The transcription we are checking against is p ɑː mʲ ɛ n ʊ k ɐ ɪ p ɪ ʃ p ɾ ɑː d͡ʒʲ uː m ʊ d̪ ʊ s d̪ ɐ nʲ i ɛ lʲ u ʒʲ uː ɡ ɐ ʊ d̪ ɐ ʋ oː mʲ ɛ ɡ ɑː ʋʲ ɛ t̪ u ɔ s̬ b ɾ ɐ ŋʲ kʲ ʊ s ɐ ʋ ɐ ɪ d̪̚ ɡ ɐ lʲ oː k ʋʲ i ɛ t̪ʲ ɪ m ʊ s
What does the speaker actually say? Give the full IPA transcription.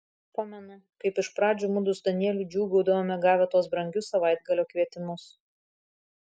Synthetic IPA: p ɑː mʲ ɛ n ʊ k ɐ ɪ p ɪ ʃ p ɾ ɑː d͡ʒʲ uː m ʊ d̪ ʊ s d̪ ɐ nʲ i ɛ lʲ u d͡ʒʲ uː ɡ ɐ ʊ d̪ ɐ ʋ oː mʲ ɛ ɡ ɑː ʋʲ ɛ t̪ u ɔ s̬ b ɾ ɐ ŋʲ ɡʲ ʊ s ɐ ʋ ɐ ɪ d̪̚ ɡ ɐ lʲ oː k ʋʲ i ɛ t̪ʲ ɪ m ʊ s